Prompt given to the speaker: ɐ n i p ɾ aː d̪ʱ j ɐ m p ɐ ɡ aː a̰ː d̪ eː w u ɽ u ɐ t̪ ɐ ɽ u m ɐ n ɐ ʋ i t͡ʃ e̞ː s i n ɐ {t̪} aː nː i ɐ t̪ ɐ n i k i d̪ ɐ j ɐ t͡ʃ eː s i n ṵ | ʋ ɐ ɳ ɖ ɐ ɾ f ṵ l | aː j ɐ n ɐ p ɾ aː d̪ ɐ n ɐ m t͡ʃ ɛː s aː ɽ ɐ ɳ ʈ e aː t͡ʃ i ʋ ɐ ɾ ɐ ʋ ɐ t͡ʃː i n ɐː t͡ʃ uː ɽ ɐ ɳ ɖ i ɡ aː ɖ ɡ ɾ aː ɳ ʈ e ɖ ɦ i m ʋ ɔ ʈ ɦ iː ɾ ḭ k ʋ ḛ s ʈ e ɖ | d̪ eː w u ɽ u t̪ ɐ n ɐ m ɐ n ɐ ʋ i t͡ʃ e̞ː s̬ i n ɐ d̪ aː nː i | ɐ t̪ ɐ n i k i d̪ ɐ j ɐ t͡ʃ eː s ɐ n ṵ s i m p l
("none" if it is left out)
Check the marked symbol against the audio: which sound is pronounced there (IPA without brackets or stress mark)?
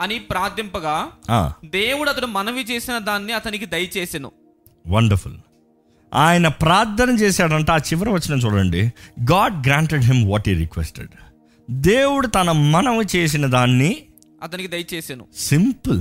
d̪